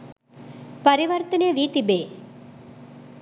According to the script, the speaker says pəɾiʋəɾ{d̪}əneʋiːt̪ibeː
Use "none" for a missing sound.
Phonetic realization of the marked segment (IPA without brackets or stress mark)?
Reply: t̪